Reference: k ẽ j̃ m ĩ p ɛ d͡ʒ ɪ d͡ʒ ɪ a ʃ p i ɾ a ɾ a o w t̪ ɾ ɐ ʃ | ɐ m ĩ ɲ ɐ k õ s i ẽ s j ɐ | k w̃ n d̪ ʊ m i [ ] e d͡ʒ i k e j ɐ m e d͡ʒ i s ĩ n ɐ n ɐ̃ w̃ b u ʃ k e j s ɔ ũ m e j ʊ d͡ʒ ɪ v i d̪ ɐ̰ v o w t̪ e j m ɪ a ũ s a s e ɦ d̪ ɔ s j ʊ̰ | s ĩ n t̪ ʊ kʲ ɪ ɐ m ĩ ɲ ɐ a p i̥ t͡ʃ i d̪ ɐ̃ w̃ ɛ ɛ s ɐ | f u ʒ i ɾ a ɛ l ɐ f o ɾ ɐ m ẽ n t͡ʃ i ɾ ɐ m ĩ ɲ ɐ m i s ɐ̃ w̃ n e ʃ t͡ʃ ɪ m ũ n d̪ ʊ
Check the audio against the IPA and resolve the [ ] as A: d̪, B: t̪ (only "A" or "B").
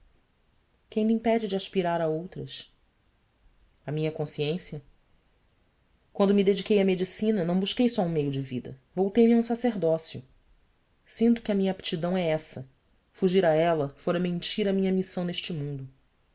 A